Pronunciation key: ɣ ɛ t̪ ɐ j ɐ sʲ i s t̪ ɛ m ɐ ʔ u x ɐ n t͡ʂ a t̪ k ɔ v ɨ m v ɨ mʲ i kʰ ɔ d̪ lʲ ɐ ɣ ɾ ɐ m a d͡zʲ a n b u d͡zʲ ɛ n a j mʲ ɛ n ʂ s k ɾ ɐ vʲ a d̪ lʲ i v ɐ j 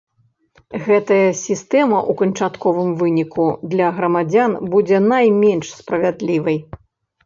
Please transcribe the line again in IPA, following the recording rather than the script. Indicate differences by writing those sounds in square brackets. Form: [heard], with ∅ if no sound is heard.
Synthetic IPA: ɣ ɛ t̪ ɐ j ɐ sʲ i s t̪ ɛ m ɐ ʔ u [k] ɐ n t͡ʂ a t̪ k ɔ v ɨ m v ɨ [nʲ] i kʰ [u] d̪ lʲ ɐ ɣ ɾ ɐ m a d͡zʲ a n b u d͡zʲ ɛ n a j mʲ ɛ n ʂ s [p] ɾ ɐ vʲ a d̪ lʲ i v ɐ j